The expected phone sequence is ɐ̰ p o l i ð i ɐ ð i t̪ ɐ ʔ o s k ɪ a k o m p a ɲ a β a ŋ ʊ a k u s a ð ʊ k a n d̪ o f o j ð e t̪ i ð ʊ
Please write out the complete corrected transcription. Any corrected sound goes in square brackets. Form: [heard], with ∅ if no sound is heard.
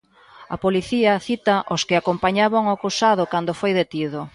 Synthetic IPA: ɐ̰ p o l i [θ] i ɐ [θ] i t̪ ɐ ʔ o s k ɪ a k o m p a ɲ a β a ŋ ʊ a k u s a ð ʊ k a n d̪ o f o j ð e t̪ i ð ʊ

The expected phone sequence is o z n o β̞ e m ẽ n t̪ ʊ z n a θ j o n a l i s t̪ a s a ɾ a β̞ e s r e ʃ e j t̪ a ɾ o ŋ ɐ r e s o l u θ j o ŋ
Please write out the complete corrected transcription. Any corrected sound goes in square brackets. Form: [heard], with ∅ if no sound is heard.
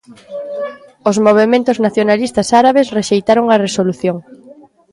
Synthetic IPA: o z [m] o β̞ e m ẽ n t̪ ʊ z n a θ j o n a l i s t̪ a s a ɾ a β̞ e s r e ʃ e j t̪ a ɾ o ŋ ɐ r e s o l u θ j o ŋ

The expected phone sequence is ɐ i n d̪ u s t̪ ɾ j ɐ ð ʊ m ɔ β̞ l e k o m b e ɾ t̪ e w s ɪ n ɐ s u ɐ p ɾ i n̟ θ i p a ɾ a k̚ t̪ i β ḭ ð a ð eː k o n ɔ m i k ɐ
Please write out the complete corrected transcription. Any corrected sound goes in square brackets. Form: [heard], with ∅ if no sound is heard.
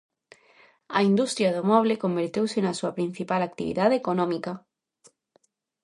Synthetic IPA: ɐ i n d̪ u s t̪ ɾ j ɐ ð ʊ m ɔ β̞ l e k o m b e ɾ t̪ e w s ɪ n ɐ s u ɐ p ɾ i n̟ θ i p a [l] a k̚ t̪ i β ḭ ð a ð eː k o n ɔ m i k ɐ

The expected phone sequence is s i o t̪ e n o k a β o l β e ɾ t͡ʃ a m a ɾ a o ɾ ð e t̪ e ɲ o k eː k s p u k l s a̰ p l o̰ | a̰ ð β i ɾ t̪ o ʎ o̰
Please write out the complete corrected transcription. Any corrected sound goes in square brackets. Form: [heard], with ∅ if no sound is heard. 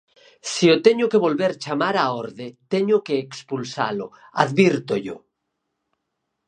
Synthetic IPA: s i o t̪ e [ɲ] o k [e] β o l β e ɾ t͡ʃ a m a ɾ a o ɾ ð e t̪ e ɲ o k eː k s p u [∅] l s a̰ [∅] l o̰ | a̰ ð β i ɾ t̪ o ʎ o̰

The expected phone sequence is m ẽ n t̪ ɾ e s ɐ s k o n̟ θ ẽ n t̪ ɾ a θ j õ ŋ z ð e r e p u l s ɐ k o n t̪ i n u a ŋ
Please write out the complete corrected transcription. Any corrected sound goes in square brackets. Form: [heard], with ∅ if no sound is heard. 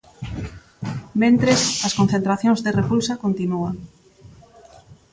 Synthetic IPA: m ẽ n t̪ ɾ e s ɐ s k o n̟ θ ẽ n t̪ ɾ a θ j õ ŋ z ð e r e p u l s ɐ k o n t̪ i n u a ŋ

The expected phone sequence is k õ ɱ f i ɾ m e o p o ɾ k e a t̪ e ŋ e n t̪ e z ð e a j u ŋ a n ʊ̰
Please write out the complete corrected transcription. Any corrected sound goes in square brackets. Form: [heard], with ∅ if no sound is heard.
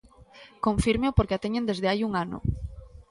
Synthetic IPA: k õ ɱ f i ɾ m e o p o ɾ k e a t̪ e [ɲ] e n [d̪] e z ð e a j u ŋ a n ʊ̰

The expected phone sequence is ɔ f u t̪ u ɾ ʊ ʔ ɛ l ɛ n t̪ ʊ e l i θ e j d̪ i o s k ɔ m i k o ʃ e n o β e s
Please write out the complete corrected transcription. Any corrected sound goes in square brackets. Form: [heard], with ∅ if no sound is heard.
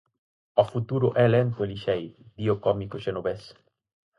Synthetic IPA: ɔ f u t̪ u ɾ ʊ ʔ ɛ l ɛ n t̪ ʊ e l i [ʃ] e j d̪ i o [∅] k ɔ m i k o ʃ e n o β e s

